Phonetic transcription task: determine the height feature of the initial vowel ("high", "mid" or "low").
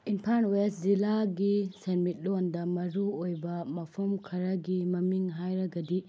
high